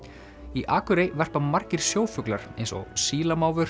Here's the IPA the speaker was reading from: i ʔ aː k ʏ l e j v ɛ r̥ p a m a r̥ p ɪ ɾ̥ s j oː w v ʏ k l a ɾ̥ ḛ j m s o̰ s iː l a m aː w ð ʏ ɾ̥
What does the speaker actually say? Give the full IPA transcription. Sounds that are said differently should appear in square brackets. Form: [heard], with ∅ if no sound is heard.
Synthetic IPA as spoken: i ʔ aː k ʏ [ɾ] e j v ɛ r̥ p a m a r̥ [c] ɪ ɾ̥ s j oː w [f] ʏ k l a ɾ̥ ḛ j [n] s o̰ s iː l a m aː w [v] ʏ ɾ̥